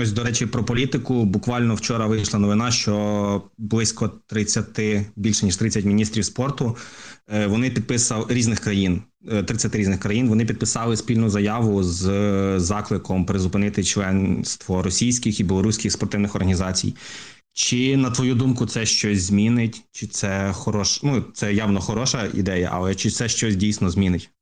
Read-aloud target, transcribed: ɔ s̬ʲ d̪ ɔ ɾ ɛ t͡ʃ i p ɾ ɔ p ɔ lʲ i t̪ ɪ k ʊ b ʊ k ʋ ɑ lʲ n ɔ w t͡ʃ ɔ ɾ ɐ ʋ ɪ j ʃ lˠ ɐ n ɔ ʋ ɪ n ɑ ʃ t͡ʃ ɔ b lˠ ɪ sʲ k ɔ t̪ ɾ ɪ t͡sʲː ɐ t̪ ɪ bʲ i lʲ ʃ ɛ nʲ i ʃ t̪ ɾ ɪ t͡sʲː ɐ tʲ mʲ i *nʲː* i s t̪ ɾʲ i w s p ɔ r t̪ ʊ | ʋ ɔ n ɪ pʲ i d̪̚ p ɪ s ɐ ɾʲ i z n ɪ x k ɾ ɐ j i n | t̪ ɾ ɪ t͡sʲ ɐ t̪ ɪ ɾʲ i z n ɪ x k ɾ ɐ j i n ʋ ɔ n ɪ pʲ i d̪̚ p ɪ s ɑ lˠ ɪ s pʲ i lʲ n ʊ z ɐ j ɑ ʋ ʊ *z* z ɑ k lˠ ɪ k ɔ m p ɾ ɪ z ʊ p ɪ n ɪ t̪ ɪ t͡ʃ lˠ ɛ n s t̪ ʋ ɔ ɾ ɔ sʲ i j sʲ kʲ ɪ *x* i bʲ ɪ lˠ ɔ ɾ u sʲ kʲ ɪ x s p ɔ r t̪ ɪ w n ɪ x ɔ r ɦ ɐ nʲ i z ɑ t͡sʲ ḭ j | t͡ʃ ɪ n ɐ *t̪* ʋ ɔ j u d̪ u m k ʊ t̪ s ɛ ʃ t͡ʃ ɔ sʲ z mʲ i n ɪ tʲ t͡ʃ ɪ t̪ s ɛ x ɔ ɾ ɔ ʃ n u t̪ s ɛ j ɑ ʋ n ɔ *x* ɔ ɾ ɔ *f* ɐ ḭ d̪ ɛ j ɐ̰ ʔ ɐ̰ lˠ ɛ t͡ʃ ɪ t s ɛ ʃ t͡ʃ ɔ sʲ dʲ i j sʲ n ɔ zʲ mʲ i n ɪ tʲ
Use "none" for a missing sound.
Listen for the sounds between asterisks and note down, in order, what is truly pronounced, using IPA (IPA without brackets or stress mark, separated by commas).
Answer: nʲ, z, x, t̪, x, ʃ